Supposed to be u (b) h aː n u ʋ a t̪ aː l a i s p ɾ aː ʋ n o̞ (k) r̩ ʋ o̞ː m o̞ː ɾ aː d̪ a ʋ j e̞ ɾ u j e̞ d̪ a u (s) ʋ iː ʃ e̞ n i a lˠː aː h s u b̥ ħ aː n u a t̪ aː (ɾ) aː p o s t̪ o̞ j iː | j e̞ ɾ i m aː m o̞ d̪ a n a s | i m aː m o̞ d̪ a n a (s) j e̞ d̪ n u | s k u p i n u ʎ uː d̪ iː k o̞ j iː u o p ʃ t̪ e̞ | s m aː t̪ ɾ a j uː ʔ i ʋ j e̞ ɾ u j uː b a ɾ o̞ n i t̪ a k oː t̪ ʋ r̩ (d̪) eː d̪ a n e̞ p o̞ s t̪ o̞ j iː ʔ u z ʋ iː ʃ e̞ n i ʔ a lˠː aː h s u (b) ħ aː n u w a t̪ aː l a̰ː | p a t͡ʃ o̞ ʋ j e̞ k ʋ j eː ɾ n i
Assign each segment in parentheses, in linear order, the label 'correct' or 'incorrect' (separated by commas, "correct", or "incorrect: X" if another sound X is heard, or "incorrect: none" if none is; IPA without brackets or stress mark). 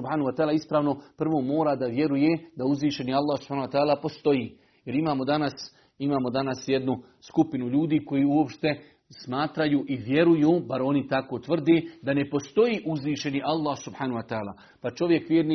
correct, incorrect: p, incorrect: z, incorrect: l, correct, correct, correct